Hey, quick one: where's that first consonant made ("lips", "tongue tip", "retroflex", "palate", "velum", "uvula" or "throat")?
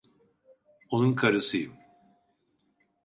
tongue tip